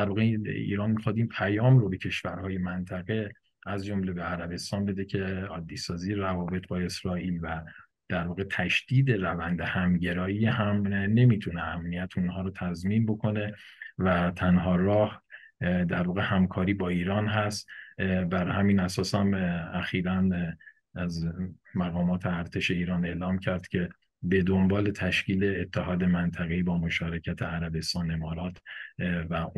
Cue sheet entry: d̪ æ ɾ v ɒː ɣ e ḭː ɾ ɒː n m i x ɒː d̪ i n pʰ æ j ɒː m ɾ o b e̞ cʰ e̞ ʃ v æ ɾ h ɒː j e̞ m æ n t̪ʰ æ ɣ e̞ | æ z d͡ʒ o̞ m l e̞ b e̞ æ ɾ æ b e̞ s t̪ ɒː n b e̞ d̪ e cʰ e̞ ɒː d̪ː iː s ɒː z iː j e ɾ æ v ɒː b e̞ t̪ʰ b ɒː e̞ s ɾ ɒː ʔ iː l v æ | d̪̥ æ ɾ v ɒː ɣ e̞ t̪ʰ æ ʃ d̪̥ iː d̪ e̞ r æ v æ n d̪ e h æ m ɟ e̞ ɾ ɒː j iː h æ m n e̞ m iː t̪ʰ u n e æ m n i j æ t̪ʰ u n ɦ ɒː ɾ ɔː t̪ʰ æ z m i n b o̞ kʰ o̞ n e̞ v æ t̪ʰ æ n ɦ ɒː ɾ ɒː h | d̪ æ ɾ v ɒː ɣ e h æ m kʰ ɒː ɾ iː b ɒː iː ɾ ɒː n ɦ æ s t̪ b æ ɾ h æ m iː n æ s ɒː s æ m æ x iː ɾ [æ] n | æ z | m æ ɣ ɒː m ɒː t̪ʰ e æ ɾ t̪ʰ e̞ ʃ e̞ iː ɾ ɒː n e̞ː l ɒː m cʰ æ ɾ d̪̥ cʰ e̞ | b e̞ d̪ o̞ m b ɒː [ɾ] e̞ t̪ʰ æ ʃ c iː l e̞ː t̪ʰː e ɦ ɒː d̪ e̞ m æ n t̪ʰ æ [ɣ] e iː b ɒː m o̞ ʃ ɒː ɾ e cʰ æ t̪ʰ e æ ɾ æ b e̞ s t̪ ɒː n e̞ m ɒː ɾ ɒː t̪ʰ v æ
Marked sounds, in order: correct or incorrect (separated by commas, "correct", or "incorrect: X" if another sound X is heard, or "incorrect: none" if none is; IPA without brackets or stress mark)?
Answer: correct, incorrect: l, correct